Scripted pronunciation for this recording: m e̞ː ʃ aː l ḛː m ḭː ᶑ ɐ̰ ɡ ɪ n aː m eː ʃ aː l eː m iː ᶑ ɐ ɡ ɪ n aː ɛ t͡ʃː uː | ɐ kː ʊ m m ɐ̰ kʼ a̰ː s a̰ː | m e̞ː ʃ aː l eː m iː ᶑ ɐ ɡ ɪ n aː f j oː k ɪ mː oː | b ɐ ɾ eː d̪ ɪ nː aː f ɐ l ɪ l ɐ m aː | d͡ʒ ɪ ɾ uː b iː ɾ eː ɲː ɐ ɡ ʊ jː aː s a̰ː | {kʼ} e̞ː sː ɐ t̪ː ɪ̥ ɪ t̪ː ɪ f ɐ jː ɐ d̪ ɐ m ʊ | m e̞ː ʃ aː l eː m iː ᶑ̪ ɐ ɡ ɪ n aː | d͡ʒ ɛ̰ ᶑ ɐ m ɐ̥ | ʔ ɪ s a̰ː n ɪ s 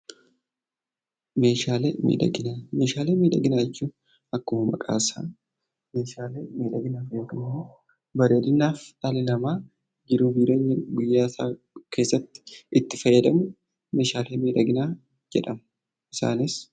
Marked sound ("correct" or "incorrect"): incorrect